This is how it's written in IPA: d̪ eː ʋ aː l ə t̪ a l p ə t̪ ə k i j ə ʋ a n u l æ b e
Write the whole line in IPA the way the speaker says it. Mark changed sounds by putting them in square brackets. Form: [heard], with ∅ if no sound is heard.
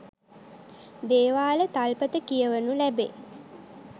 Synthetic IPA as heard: d̪ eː ʋ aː l ə t̪ a l p ə t̪ ə k i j ə ʋ [ə] n u l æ b e